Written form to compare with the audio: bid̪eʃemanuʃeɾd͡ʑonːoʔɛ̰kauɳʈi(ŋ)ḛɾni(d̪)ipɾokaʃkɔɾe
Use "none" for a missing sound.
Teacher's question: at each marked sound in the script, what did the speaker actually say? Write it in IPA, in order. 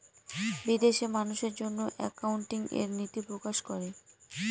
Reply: ŋ, t̪

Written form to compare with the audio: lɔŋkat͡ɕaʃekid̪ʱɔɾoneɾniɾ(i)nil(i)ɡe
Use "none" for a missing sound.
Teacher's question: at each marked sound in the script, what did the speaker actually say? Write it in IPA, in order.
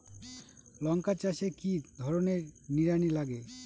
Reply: a, a

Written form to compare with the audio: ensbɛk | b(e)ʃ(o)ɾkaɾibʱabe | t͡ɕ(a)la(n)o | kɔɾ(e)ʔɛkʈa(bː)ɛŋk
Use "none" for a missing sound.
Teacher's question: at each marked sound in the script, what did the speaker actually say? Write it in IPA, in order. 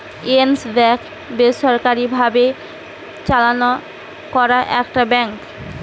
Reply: e, ɔ, a, n, a, b

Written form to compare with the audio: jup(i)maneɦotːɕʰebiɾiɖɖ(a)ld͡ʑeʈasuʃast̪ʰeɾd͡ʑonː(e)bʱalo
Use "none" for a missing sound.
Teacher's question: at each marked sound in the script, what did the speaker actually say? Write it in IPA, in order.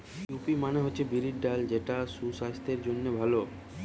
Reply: i, a, e

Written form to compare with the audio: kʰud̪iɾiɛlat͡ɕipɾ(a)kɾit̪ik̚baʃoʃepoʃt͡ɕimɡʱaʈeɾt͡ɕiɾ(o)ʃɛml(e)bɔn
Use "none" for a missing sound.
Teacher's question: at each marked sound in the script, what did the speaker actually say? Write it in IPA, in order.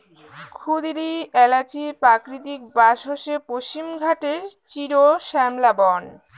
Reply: a, o, a

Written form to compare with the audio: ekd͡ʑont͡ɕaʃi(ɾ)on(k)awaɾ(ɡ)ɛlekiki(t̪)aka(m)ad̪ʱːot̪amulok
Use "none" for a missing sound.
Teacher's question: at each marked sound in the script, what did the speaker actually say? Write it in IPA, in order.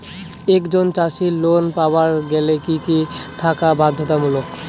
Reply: l, p, ɡ, t̪ʰ, b

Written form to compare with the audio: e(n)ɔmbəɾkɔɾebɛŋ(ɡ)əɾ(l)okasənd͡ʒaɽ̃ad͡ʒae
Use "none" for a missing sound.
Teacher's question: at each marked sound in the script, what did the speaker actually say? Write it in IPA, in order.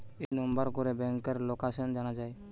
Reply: n, k, l

